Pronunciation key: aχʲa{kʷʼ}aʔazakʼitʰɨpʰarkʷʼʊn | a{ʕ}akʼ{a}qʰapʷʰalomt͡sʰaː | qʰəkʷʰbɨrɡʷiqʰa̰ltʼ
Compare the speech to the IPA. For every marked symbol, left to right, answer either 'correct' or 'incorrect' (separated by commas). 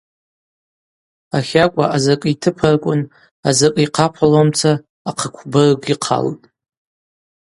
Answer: correct, incorrect, incorrect